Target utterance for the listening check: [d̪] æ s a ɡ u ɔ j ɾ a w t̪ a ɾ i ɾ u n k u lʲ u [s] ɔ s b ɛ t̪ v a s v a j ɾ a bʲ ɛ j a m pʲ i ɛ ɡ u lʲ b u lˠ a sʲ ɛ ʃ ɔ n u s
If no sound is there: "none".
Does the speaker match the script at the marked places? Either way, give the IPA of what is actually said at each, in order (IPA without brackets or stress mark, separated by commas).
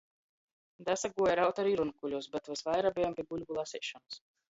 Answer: d̪, none